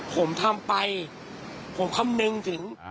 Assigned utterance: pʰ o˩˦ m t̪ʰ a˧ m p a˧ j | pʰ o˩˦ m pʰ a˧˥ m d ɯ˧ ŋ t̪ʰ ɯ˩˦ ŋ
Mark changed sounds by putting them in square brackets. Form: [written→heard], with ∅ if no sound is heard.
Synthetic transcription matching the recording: pʰ o˩˦ m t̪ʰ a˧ m p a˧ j | pʰ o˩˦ m [pʰ→kʰ] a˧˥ m [d→n] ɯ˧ ŋ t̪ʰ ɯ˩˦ ŋ